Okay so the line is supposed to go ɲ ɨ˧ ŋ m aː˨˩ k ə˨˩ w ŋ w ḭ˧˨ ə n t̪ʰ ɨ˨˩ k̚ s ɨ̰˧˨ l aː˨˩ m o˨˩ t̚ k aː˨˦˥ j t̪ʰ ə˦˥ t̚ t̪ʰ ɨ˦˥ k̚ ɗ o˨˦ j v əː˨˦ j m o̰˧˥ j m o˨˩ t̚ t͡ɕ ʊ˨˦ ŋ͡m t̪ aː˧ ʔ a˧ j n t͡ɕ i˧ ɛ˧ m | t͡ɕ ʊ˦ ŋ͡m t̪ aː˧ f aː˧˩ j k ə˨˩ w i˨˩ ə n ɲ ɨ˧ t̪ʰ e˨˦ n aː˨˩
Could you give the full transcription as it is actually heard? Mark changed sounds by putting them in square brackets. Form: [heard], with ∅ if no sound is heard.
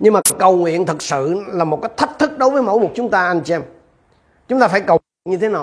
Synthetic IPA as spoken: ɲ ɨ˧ ŋ m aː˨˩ k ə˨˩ w ŋ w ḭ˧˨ ə n t̪ʰ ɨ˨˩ k̚ s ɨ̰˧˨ l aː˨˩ m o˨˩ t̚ k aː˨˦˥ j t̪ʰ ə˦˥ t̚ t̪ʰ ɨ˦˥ k̚ ɗ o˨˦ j v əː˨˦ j m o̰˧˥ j m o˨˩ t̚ t͡ɕ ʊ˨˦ ŋ͡m t̪ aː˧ ʔ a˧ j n t͡ɕ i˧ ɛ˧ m | t͡ɕ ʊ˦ ŋ͡m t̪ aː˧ f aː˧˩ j k ə˨˩ w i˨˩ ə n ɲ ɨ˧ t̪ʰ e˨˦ n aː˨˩